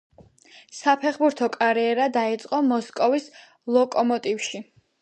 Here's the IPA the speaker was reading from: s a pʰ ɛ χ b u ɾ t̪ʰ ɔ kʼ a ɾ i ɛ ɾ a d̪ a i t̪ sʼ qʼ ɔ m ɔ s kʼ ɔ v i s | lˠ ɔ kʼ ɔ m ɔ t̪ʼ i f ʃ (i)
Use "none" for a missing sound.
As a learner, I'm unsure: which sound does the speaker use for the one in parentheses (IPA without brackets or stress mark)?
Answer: i